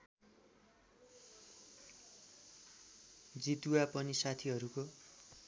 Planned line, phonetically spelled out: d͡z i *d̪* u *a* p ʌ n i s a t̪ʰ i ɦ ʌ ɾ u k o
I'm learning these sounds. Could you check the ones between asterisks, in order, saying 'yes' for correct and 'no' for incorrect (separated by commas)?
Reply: no, yes